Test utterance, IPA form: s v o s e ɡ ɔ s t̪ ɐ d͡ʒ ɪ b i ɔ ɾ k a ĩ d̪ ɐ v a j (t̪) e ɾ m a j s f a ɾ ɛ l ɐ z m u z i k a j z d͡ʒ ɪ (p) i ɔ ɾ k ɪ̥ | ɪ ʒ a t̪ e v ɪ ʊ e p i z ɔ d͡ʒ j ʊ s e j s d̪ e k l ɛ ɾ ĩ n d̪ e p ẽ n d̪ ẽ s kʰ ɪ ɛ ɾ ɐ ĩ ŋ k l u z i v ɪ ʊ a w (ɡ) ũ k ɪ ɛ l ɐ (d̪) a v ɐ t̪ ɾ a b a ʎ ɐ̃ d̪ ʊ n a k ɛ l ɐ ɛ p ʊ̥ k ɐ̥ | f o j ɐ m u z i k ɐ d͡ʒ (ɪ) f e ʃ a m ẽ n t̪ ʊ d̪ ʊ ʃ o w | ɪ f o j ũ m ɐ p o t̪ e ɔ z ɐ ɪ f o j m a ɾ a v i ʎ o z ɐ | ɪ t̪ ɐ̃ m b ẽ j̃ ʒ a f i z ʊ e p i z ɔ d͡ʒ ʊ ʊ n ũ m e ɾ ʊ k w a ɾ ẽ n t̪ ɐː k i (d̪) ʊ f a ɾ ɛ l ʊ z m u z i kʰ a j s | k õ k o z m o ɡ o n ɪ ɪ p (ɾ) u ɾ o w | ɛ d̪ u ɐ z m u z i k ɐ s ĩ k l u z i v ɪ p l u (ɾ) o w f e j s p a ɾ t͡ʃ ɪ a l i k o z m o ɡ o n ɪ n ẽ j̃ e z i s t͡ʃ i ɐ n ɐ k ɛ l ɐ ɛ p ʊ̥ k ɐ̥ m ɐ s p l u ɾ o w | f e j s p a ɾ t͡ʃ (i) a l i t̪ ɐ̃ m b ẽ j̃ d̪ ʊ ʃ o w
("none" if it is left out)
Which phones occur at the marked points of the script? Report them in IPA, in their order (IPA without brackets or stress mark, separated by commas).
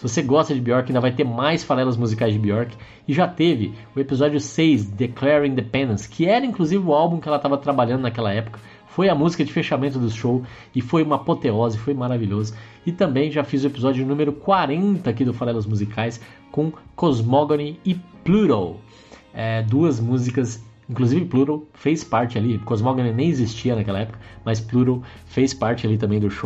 t̪, b, b, t̪, ɪ, d̪, l, ɾ, ɪ